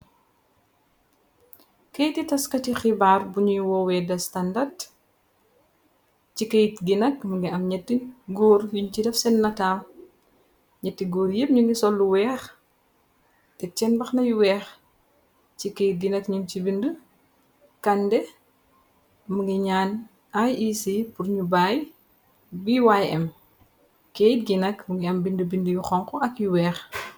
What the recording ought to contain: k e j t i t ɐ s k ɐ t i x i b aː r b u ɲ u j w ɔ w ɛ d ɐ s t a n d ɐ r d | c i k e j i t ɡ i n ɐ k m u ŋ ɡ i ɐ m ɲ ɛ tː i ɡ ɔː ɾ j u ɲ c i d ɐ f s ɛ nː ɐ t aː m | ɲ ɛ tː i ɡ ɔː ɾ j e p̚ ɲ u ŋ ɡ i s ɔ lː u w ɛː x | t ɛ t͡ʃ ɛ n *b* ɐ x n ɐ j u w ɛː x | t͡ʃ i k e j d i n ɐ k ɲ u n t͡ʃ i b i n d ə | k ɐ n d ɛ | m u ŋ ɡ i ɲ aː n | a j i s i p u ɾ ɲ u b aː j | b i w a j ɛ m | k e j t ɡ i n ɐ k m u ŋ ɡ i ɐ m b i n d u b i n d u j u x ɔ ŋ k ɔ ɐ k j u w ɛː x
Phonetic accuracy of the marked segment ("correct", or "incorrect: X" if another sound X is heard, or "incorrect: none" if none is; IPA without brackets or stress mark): correct